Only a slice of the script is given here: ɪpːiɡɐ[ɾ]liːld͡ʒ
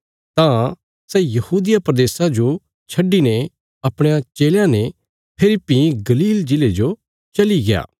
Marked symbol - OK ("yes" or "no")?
no